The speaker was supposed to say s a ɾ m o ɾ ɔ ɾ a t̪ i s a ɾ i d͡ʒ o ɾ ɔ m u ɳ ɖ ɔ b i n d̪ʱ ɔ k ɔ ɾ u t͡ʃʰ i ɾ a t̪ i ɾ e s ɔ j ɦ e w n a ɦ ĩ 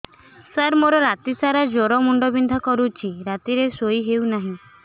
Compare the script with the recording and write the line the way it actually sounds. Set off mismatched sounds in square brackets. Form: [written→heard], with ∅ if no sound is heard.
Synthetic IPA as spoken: s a ɾ m o ɾ ɔ ɾ a t̪ i s a ɾ [i→a] d͡ʒ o ɾ ɔ m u ɳ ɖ ɔ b i n d̪ʱ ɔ k ɔ ɾ u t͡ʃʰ i ɾ a t̪ i ɾ e s [ɔ→o] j ɦ e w n a ɦ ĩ